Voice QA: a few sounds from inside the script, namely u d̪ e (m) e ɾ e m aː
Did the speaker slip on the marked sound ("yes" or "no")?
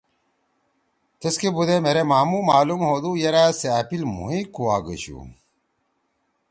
no